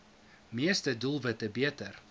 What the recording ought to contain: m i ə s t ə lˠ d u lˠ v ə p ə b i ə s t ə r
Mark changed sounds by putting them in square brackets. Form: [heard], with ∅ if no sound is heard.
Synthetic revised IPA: m i ə s t ə [∅] d u lˠ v ə [t] ə b i ə [∅] t ə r